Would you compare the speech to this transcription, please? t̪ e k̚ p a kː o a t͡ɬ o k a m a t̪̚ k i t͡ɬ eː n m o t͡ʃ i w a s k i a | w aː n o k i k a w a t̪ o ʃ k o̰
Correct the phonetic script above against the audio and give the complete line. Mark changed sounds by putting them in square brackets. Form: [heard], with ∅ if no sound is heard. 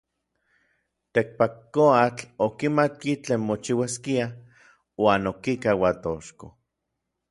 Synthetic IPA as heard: t̪ e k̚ p a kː o a t͡ɬ o k [i] m a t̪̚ k i t͡ɬ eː n m o t͡ʃ i w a s k i a | w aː n o k i k a w a t̪ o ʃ k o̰